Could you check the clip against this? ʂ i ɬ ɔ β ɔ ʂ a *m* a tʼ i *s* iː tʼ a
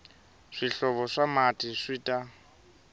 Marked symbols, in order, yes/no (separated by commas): yes, no